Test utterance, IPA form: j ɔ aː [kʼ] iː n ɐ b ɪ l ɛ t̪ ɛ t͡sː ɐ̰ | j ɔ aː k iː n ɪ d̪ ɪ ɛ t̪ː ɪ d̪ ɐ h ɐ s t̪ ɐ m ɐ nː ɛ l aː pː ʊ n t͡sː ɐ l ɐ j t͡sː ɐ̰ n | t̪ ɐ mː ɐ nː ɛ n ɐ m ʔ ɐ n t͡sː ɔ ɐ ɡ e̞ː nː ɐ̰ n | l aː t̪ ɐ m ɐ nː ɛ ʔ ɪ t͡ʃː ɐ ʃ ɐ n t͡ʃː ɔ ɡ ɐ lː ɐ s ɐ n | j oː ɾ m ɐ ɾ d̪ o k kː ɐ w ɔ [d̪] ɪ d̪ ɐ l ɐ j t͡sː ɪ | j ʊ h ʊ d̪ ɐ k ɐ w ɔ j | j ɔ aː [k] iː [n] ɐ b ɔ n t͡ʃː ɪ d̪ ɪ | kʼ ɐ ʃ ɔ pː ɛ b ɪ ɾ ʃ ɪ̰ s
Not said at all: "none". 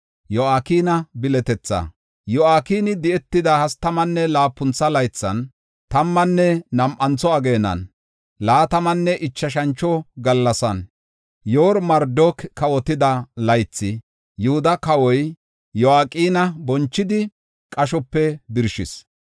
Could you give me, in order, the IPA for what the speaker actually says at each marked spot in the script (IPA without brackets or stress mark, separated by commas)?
k, t̪, kʼ, n